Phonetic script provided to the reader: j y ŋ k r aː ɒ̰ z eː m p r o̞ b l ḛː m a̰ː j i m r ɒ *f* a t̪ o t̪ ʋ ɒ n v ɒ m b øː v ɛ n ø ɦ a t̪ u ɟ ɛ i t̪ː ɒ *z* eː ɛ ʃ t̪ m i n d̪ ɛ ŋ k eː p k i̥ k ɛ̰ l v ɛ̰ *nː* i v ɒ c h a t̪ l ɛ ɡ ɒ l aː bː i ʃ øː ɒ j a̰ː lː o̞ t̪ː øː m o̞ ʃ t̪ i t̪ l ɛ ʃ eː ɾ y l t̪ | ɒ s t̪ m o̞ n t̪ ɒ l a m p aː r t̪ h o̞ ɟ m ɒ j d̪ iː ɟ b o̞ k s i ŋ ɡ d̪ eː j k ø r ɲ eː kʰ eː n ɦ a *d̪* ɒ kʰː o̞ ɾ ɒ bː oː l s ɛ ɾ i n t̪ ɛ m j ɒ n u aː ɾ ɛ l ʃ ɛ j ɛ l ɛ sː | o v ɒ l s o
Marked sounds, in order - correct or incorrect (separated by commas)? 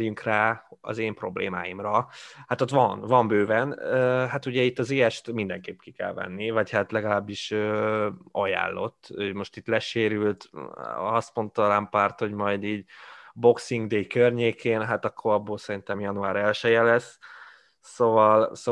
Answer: incorrect, correct, correct, incorrect